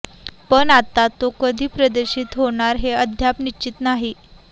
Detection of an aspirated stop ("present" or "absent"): absent